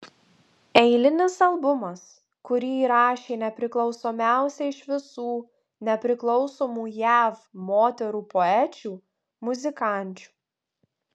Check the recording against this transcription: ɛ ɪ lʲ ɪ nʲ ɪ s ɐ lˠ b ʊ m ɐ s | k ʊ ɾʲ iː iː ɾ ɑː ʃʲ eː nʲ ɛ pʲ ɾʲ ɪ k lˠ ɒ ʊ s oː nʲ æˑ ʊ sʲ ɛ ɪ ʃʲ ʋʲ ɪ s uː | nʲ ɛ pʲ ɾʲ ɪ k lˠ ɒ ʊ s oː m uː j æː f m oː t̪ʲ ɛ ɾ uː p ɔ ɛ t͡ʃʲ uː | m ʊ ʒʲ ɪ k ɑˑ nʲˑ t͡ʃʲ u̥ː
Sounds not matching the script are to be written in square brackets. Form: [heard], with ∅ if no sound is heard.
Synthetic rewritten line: ɛ ɪ lʲ ɪ nʲ ɪ s ɐ lˠ b ʊ m ɐ s | k ʊ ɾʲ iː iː ɾ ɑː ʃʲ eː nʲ ɛ pʲ ɾʲ ɪ k lˠ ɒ ʊ s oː [mʲ] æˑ ʊ sʲ ɛ ɪ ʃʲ ʋʲ ɪ s uː | nʲ ɛ pʲ ɾʲ ɪ k lˠ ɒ ʊ s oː m uː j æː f m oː t̪ʲ ɛ ɾ uː p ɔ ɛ t͡ʃʲ uː | m ʊ [zʲ] ɪ k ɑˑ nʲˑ t͡ʃʲ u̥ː